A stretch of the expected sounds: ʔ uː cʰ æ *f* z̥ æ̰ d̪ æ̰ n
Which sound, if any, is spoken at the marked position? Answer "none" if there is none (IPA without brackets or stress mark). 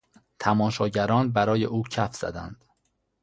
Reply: f